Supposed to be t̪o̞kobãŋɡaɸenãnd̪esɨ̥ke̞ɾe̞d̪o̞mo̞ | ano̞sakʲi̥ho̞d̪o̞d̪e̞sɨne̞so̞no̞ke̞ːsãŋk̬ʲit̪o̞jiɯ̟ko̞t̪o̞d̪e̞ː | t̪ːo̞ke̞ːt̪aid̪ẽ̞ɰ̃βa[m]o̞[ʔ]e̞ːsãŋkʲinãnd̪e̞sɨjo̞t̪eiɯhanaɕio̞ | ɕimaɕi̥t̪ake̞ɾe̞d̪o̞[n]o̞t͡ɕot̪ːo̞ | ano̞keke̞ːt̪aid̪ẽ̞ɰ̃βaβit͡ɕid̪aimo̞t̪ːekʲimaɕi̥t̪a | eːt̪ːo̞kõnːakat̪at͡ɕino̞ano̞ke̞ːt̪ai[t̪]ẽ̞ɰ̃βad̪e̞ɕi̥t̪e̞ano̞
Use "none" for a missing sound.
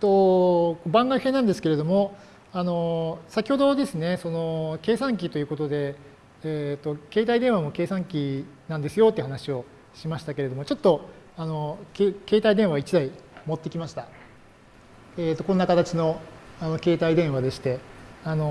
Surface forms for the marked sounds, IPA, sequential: m, k, m, d̪

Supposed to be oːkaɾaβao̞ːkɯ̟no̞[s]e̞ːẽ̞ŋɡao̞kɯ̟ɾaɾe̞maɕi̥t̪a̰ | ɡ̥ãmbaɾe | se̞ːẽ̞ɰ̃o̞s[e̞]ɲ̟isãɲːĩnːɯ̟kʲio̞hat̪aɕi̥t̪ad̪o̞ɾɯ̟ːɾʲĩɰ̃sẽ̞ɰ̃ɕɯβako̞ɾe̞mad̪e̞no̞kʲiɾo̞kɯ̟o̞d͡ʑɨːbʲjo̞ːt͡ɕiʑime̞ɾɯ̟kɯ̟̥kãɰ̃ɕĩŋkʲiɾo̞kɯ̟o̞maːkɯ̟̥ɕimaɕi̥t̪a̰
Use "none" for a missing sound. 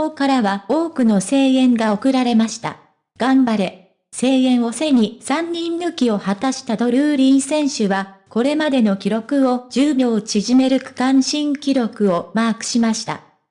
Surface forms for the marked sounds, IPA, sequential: s, e̞

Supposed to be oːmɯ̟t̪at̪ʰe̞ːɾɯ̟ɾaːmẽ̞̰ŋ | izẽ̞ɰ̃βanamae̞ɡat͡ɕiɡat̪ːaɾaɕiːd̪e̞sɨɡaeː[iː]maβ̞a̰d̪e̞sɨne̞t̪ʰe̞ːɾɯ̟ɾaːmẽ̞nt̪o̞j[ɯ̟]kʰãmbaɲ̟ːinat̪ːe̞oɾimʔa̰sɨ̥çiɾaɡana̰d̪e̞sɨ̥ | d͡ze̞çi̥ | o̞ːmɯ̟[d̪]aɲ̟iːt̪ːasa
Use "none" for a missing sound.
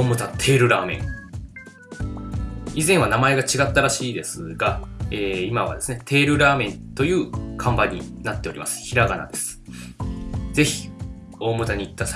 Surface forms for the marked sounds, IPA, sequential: i, ɯ̟ː, t̪

